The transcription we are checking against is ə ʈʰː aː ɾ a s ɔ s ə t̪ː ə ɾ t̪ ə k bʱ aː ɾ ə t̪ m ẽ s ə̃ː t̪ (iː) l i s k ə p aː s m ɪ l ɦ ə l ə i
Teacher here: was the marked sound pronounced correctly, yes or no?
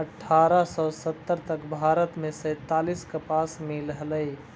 no